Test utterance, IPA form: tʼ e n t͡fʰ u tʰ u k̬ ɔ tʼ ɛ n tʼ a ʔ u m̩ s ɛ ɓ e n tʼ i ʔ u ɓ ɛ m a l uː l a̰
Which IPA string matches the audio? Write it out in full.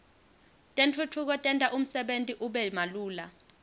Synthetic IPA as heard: tʼ e n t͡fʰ u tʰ u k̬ ɔ tʼ ɛ n tʼ a ʔ u m̩ s ɛ ɓ e n tʼ i ʔ u ɓ ɛ m a l uː l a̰

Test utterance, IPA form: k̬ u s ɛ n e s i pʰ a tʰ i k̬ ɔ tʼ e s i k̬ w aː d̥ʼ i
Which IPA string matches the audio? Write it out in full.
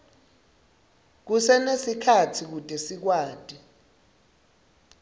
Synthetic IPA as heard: k̬ u s ɛ n e s i kʰ a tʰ i k̬ u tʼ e s i k̬ w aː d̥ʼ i

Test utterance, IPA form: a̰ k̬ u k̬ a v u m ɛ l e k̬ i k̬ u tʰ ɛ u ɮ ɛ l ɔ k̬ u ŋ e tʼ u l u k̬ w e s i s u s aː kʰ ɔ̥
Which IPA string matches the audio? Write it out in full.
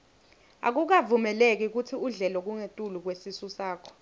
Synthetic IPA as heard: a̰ k̬ u k̬ a v u m ɛ l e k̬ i k̬ u tʰ i u ɮ ɛ l ɔ k̬ u ŋ e tʼ u l u k̬ w e s i s u s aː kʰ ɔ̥

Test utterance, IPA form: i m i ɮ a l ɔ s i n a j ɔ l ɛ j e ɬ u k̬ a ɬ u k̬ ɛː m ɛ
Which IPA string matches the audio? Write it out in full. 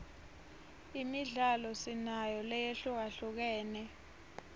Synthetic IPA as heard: i m i ɮ a l ɔ s i n a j ɔ l ɛ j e ɬ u k̬ a ɬ u k̬ ɛː n ɛ

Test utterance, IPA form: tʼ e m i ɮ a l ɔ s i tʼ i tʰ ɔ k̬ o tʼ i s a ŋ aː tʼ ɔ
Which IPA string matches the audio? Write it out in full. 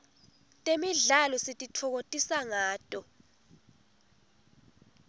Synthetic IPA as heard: tʼ e m i ɮ a l ɔ s i tʼ i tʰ ɔ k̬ o tʼ i s a ŋ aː tʼ ɔ

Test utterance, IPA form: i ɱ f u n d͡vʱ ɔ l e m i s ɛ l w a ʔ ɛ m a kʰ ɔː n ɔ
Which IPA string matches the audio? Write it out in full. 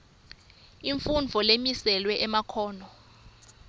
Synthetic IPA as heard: i ɱ f u n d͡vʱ ɔ l e m i s ɛ l w ɛ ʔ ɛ m a kʰ ɔː n ɔ

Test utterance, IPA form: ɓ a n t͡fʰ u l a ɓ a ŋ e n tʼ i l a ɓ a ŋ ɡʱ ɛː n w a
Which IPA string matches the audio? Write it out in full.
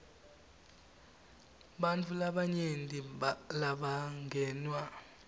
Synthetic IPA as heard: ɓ a n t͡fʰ u l a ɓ a ɲ e n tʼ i l a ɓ a ŋ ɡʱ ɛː n w a

